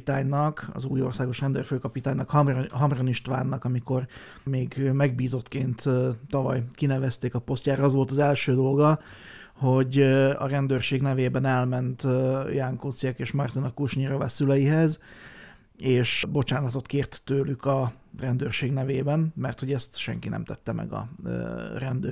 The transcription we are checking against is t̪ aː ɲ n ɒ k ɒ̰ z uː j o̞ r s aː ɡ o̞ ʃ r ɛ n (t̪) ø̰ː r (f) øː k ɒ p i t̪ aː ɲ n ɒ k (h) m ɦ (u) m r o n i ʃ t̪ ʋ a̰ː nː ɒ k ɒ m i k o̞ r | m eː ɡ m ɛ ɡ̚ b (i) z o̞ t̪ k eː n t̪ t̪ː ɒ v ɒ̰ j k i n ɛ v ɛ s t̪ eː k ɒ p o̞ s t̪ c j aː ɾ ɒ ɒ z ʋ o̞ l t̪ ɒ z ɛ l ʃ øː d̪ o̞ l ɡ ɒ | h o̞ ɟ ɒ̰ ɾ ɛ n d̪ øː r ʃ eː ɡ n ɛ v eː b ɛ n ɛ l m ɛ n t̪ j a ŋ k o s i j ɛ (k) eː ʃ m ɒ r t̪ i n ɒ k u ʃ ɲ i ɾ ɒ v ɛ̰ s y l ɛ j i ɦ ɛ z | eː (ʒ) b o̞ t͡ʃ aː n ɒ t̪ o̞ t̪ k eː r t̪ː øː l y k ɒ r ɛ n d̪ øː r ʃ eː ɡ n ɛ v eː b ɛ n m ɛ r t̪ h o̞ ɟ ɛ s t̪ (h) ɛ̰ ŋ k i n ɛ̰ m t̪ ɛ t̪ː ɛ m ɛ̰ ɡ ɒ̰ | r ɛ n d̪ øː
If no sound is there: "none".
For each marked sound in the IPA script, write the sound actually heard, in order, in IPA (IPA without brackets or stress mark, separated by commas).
d̪, f, h, ɒ, iː, k, ʃ, ʃ